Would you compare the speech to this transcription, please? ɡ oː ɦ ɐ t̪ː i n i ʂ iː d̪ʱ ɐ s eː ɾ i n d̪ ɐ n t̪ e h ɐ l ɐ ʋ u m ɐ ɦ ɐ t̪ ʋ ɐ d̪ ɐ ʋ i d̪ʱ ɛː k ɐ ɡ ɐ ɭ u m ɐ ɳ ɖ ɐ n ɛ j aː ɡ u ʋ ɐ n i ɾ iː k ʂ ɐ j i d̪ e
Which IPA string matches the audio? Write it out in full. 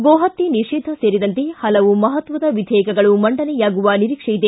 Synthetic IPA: ɡ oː ɦ ɐ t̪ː i n i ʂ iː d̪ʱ ɐ s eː ɾ i d̪ ɐ n t̪ e h ɐ l ɐ ʋ u m ɐ ɦ ɐ t̪ ʋ ɐ d̪ ɐ ʋ i d̪ʱ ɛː k ɐ ɡ ɐ ɭ u m ɐ ɳ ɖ ɐ n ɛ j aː ɡ u ʋ ɐ n i ɾ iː k ʂ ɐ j i d̪ e